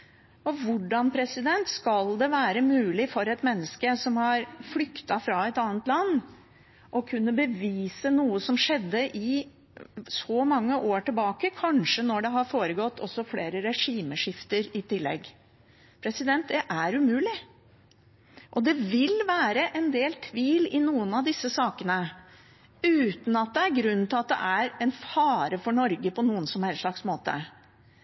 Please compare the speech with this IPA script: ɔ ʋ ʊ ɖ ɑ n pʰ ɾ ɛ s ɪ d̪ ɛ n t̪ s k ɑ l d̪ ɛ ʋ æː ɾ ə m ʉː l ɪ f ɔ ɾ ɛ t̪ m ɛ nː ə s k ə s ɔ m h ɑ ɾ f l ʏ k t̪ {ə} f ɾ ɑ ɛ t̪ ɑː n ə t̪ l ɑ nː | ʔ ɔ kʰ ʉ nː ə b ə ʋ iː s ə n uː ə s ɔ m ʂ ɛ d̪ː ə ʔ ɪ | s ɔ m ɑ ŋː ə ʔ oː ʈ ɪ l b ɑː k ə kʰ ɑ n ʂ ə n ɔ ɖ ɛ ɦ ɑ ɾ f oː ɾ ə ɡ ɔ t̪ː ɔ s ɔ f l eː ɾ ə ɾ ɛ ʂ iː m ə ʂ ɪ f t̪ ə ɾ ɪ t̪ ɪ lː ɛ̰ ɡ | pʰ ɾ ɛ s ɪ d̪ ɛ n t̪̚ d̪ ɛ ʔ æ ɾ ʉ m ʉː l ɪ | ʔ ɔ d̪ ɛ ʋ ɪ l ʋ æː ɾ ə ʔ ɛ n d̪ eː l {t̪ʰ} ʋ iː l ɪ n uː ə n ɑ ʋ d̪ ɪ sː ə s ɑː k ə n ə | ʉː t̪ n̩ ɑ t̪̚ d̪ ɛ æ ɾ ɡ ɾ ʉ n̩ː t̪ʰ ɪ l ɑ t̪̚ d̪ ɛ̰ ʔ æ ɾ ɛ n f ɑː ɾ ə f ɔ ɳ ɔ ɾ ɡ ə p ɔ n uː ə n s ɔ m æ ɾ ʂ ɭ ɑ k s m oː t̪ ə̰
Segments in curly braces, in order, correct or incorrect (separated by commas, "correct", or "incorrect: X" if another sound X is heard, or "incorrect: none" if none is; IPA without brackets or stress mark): incorrect: ɑ, correct